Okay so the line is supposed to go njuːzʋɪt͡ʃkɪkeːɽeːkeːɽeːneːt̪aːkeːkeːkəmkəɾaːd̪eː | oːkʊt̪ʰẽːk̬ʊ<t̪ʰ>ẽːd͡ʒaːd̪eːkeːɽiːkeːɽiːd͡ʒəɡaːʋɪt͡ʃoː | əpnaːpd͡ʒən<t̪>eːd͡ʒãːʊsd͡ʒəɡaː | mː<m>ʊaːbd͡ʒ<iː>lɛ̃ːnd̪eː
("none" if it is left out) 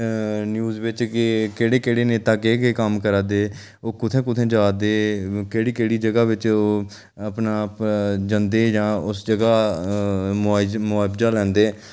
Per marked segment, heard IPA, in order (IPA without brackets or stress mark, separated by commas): t̪ʰ, d̪, m, aː